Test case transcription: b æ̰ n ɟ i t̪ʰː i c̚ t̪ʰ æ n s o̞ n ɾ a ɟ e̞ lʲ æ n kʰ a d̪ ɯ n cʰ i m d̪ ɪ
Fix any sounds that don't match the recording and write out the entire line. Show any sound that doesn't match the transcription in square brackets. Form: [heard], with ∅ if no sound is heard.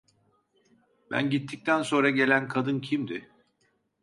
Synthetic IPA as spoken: b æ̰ n ɟ i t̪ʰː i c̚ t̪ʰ æ n s o̞ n ɾ a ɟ e̞ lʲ æ n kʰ a d̪ ɯ n cʰ i m d̪ ɪ